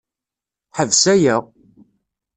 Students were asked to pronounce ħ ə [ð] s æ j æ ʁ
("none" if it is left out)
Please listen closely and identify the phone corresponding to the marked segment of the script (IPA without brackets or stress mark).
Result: v